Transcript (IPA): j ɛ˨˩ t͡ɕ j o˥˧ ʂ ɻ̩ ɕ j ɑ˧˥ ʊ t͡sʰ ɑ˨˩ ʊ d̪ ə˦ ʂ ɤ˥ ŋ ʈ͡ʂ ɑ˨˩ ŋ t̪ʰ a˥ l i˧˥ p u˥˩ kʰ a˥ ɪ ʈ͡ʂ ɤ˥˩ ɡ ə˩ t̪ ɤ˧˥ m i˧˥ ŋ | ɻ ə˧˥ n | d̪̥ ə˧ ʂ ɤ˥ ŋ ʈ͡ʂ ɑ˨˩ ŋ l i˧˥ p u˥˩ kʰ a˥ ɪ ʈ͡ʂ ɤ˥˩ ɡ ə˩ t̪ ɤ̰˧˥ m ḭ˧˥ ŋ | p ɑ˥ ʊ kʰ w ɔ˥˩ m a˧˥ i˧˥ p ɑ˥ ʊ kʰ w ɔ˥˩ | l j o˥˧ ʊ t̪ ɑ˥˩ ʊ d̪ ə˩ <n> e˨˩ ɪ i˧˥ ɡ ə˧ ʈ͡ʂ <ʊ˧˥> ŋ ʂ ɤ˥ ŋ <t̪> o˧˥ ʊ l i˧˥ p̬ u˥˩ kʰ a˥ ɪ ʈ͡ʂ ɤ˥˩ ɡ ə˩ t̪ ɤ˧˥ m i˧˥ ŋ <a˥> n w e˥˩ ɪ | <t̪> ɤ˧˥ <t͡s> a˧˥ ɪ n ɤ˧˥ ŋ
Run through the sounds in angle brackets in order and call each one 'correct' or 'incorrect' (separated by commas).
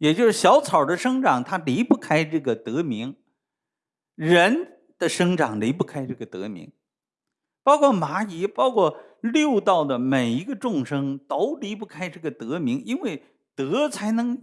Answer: incorrect, incorrect, correct, incorrect, correct, incorrect